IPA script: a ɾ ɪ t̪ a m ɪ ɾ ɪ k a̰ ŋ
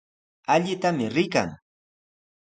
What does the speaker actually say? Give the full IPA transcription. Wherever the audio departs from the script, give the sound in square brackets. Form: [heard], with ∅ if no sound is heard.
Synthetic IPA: a [ʎ] ɪ t̪ a m ɪ ɾ ɪ k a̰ ŋ